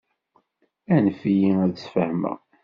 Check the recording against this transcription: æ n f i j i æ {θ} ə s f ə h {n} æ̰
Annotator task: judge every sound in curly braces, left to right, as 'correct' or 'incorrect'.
incorrect: ð, incorrect: m

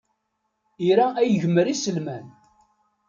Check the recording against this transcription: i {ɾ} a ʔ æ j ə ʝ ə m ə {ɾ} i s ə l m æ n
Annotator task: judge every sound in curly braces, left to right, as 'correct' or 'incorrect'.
correct, correct

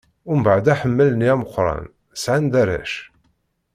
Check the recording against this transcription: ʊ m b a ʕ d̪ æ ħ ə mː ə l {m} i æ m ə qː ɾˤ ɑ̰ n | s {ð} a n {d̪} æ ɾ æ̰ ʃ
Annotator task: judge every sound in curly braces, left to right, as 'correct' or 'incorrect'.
incorrect: n, incorrect: ʕ, correct

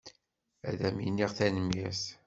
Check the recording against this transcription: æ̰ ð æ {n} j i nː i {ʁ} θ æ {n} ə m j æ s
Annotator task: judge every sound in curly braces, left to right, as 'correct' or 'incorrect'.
incorrect: m, correct, correct

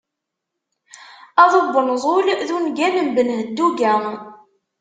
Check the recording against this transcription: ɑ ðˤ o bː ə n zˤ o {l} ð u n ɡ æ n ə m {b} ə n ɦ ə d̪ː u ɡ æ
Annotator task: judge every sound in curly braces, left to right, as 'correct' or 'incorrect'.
correct, correct

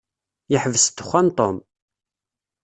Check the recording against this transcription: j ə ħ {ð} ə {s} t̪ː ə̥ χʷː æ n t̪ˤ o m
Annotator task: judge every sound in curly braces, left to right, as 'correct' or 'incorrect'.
incorrect: v, correct

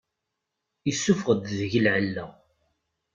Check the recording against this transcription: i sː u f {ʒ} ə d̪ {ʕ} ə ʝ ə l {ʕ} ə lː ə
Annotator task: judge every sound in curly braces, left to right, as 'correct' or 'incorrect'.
incorrect: ʁ, incorrect: ð, correct

